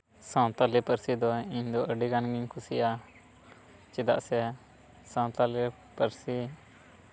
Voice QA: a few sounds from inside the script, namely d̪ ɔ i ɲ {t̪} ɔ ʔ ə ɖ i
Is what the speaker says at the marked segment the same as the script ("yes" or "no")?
no